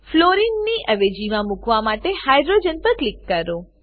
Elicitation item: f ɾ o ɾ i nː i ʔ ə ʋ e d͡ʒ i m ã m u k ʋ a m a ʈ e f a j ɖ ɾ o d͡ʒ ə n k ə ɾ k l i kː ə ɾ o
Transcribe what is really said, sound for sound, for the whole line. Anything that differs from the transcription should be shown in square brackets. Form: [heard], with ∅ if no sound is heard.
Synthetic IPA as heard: f [l] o ɾ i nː i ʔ ə ʋ e d͡ʒ i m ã m u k ʋ a m a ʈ e [h] a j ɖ ɾ o d͡ʒ ə n [p] ə ɾ k l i kː ə ɾ o